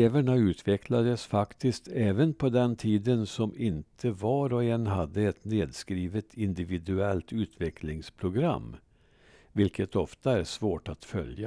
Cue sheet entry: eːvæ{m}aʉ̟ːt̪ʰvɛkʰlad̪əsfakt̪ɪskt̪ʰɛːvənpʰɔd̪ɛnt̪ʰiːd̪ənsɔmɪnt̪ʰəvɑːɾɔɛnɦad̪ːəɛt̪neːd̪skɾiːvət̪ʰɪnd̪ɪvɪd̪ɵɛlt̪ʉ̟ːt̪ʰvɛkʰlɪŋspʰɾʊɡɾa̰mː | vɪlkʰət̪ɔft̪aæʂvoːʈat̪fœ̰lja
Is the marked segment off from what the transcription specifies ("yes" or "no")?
yes